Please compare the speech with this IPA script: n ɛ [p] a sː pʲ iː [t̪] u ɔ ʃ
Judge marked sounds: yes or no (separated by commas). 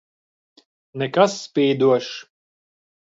no, no